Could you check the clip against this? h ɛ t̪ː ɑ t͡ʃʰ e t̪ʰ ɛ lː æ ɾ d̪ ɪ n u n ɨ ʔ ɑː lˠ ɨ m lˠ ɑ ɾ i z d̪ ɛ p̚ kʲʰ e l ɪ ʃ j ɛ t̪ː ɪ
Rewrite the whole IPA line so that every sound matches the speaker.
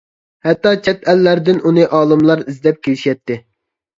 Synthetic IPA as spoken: h ɛ t̪ː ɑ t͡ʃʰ ɛ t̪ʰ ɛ lː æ ɾ d̪ ɪ n u n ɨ ʔ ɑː lˠ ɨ m lˠ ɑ ɾ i z d̪ ɛ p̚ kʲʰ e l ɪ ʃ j ɛ t̪ː ɪ